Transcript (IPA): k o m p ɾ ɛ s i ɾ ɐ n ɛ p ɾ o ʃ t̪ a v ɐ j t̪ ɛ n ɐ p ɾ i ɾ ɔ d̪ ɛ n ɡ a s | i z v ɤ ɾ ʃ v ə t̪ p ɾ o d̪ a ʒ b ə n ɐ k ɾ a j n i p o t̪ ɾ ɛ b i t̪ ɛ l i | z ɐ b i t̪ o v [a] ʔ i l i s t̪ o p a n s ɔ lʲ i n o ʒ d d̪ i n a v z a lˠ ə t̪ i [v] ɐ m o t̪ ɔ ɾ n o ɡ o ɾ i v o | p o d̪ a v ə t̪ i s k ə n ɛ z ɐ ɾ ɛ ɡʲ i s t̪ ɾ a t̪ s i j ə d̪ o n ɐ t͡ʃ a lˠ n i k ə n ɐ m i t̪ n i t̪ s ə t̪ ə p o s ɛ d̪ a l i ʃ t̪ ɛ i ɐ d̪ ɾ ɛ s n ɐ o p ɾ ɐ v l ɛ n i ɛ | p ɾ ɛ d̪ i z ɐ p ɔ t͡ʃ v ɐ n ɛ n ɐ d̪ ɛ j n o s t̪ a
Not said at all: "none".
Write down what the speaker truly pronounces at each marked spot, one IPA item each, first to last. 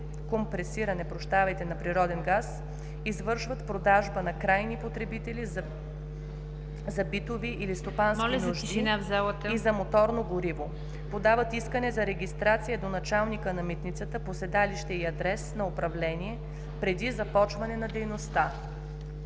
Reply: i, z

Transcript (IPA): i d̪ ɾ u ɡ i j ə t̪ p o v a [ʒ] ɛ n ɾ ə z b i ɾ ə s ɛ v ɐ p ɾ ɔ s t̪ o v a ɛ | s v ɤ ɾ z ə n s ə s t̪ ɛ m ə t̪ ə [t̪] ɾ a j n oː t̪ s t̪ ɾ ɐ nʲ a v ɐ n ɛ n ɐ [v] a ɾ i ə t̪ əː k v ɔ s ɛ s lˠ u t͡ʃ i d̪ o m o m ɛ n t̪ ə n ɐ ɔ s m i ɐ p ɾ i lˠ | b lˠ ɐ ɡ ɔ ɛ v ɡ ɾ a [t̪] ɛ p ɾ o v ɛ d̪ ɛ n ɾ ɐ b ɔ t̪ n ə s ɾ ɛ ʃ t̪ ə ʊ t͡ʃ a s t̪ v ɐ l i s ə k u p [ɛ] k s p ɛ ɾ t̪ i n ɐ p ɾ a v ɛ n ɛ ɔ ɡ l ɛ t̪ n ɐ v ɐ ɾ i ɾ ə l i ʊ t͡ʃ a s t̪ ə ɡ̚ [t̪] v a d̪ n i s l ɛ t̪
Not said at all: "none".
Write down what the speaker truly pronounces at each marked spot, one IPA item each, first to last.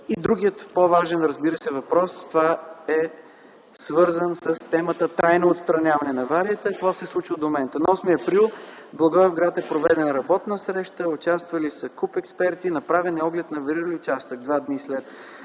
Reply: ʒ, t̪, v, t̪, ɛ, d̪

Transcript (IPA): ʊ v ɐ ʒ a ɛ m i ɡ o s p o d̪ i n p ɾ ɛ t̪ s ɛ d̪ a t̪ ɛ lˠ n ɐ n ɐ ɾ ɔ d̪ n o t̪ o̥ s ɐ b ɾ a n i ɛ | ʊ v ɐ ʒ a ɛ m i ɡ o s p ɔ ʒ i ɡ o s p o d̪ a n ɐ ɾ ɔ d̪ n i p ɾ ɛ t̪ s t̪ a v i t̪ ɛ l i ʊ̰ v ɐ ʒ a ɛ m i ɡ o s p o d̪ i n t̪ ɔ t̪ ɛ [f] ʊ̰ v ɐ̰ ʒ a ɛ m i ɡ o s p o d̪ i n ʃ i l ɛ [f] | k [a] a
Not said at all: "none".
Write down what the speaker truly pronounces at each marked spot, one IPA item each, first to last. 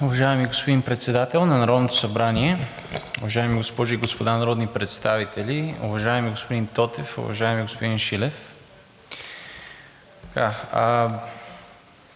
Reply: f, f, a

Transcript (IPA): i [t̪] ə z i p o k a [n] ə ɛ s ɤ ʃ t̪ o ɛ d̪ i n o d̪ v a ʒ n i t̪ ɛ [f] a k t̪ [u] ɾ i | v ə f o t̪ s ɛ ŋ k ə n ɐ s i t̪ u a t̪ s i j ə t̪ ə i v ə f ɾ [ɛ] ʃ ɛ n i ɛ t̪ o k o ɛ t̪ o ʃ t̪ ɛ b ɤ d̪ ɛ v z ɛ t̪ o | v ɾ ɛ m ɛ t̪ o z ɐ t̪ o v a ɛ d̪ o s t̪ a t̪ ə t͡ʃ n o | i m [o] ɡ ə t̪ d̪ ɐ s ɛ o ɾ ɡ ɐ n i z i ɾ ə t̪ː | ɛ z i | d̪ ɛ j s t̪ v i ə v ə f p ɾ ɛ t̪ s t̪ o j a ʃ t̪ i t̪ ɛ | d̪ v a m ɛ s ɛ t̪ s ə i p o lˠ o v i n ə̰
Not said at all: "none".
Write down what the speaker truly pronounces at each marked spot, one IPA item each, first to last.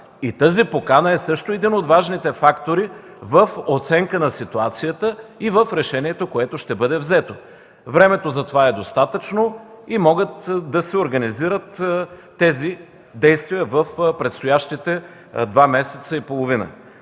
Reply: t̪, n, f, o, ɛ, ɔ

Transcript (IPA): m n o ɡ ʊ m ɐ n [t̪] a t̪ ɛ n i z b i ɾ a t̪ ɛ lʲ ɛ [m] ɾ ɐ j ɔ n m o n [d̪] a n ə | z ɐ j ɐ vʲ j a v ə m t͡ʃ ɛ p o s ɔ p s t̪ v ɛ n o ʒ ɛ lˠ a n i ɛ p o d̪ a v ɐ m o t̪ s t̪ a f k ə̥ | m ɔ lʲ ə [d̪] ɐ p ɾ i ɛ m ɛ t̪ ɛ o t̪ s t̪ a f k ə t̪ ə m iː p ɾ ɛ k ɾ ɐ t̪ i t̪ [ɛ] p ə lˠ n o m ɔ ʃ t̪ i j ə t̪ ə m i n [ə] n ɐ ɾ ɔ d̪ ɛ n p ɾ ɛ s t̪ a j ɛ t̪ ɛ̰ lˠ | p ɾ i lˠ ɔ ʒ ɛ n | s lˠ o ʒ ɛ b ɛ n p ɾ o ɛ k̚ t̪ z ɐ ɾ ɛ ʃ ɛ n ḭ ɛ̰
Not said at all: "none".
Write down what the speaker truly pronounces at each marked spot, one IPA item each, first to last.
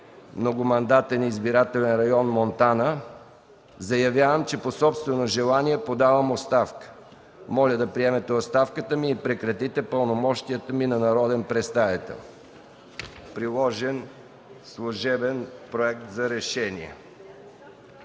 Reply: d̪, n, t̪, d̪, ɛ, ɐ

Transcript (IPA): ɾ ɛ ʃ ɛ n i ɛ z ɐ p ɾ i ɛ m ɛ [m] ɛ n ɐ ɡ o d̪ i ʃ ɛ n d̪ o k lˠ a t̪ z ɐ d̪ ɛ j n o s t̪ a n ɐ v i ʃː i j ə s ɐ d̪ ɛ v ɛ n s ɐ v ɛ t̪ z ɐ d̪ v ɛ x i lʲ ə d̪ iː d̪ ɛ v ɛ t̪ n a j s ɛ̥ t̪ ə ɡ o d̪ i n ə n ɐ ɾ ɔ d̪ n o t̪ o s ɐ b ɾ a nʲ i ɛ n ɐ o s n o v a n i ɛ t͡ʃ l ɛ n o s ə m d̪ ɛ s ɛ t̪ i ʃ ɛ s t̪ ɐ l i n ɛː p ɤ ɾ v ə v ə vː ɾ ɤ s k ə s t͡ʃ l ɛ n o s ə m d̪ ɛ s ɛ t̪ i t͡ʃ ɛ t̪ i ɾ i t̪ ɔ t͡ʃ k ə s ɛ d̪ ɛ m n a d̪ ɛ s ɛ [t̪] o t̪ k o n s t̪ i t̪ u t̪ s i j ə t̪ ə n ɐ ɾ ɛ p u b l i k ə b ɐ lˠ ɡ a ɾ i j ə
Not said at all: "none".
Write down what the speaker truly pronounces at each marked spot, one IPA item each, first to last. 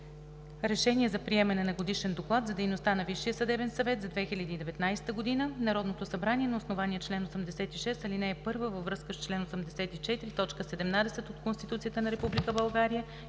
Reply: n, t̪

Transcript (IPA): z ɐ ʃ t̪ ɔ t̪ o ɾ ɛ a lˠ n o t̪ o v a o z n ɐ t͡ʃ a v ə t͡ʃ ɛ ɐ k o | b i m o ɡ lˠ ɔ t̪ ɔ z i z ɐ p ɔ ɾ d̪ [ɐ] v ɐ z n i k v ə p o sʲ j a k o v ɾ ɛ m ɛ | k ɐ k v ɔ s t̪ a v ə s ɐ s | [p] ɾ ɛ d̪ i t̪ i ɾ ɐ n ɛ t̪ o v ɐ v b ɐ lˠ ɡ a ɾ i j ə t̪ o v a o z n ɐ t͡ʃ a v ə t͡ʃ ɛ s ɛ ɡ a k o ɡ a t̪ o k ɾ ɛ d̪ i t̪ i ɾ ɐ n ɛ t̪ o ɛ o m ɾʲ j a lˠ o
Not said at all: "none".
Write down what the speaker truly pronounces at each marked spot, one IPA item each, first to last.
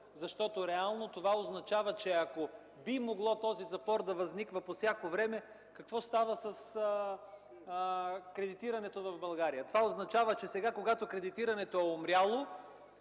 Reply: ɐ, k

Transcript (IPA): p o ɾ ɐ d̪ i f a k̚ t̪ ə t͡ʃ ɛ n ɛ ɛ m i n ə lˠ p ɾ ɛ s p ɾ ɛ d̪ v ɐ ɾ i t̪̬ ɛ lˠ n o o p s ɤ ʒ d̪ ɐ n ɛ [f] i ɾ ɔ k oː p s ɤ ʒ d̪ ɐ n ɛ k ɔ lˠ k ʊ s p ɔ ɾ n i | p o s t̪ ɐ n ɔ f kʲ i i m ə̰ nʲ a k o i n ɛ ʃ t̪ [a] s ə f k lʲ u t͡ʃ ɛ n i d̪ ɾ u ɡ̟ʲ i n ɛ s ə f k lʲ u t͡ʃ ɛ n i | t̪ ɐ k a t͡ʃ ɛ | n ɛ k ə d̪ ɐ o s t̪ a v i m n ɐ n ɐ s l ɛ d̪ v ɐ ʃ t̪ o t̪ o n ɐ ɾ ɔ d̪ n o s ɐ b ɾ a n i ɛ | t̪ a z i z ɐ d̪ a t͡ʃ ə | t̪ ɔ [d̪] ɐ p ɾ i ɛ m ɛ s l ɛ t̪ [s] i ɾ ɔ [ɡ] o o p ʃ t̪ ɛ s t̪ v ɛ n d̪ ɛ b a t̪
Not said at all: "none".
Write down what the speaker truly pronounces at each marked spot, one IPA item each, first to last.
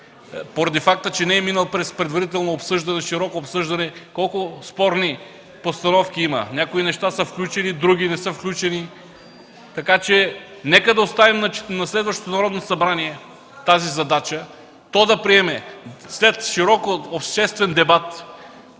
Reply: ʃ, a, d̪, ʃ, k

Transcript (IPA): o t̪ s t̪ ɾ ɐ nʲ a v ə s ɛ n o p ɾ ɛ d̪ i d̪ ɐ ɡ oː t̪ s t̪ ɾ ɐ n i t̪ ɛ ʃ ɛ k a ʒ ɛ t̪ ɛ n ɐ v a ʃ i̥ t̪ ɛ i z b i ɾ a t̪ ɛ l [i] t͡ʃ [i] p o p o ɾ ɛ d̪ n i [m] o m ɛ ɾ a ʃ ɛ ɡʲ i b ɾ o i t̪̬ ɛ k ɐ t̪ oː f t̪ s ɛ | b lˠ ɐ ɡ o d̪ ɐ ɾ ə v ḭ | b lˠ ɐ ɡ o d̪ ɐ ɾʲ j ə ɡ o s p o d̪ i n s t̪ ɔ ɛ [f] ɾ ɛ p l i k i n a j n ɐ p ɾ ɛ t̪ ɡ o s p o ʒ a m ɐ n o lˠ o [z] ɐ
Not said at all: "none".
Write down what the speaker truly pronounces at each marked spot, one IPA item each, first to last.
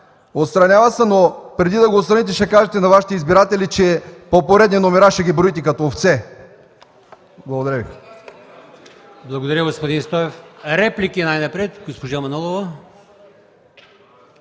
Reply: i, ɛ, n, f, v

